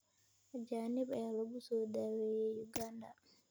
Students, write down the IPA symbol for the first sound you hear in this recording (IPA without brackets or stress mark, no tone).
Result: d͡ʒ